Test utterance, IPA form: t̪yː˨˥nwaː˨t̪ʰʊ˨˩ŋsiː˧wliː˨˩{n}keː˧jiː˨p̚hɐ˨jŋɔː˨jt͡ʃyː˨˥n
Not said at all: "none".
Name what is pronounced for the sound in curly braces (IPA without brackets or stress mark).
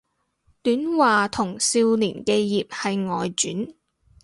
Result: n